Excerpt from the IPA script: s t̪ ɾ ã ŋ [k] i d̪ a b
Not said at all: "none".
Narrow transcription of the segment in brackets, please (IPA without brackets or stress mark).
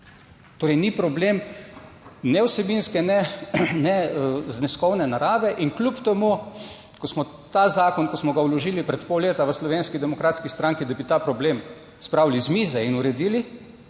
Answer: k